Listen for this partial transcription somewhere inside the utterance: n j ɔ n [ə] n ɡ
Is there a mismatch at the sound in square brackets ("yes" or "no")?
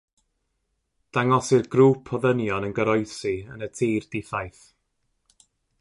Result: no